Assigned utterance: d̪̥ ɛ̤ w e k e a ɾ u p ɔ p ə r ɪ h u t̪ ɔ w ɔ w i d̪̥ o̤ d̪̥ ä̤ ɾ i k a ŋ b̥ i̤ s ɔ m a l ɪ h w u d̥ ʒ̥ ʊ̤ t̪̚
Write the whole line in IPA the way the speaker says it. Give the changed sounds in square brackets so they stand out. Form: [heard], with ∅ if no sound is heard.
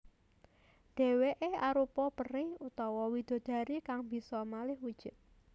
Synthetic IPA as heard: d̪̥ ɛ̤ w e [ʔ] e a ɾ u p ɔ p ə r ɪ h u t̪ ɔ w ɔ w i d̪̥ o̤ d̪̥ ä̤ ɾ i k a ŋ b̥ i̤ s ɔ m a l ɪ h w u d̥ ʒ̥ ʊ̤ t̪̚